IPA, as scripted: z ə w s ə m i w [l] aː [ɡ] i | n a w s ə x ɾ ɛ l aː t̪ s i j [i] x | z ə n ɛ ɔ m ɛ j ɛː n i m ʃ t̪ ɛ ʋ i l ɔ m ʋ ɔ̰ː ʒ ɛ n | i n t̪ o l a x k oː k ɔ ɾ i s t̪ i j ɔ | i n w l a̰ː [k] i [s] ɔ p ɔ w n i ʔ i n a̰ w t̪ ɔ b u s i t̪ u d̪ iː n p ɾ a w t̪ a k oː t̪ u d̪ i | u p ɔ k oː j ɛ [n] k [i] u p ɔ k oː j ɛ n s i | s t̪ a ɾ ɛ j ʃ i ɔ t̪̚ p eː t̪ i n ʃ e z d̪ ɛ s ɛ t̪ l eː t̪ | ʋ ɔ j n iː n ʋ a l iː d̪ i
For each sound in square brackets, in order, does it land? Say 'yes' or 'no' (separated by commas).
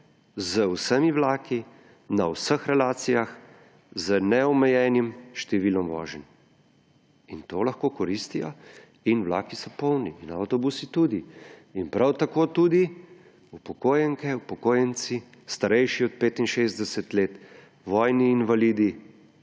yes, no, no, yes, yes, no, no